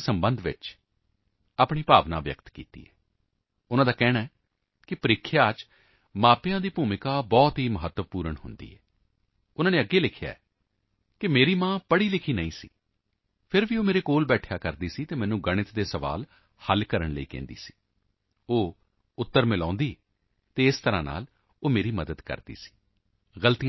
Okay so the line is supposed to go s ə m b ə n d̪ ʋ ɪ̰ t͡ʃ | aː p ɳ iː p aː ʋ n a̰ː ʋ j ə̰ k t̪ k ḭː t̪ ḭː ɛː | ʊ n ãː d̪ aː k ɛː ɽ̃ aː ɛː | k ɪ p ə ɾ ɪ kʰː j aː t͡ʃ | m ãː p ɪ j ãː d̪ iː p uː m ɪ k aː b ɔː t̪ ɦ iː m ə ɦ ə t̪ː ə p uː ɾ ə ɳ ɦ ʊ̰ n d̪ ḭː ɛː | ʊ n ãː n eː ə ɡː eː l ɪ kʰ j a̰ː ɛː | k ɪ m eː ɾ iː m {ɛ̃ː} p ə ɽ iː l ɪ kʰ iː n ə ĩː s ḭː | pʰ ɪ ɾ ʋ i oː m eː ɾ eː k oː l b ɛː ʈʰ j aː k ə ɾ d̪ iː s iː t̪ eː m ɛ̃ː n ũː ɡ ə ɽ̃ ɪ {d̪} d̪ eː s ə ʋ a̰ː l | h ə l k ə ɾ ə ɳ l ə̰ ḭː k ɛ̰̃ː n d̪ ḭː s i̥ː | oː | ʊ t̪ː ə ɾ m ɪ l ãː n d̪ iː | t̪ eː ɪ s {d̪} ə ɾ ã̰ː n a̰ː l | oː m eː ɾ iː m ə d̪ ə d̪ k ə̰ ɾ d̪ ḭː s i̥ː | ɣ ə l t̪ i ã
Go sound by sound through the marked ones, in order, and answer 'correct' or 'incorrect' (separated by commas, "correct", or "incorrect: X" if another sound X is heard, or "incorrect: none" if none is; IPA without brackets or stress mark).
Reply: incorrect: ãː, incorrect: t̪, incorrect: t̪